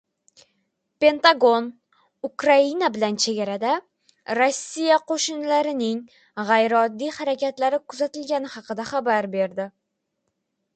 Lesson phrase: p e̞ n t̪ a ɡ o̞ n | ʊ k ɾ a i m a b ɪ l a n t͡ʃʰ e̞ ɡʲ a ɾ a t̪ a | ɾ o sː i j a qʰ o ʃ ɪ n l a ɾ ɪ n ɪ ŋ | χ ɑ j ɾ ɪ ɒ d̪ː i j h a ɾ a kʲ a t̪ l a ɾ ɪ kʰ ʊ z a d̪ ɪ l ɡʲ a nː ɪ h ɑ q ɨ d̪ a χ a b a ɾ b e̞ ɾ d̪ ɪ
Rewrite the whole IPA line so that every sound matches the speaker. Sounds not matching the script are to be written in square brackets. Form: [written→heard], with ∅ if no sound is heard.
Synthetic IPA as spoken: p e̞ n t̪ a ɡ o̞ n | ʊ k ɾ a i [m→n] a b ɪ l a n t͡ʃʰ e̞ ɡʲ a ɾ a [t̪→d̪] a | ɾ o sː i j a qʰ o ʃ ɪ n l a ɾ ɪ n ɪ ŋ | [χ→ʁ] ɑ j ɾ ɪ ɒ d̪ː i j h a ɾ a kʲ a t̪ l a ɾ ɪ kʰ ʊ z a [d̪→t̪] ɪ l ɡʲ a [nː→n] ɪ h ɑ q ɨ d̪ a χ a b a ɾ b e̞ ɾ d̪ ɪ